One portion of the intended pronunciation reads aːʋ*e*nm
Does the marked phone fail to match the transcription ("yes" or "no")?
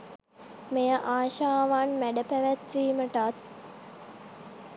yes